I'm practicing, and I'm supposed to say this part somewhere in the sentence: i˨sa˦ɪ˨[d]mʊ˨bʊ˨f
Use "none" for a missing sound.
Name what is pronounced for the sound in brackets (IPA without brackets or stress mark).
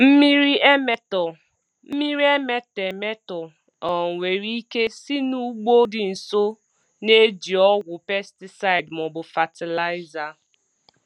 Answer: d